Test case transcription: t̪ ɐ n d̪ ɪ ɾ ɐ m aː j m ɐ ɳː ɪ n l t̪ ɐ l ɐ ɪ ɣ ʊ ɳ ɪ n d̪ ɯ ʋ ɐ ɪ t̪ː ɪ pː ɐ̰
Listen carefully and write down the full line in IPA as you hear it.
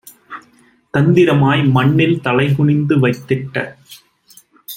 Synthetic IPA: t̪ ɐ n d̪ ɪ ɾ ɐ m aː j m ɐ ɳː ɪ l t̪ ɐ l ɐ ɪ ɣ ʊ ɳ ɪ n d̪ ɯ ʋ ɐ ɪ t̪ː ɪ ʈː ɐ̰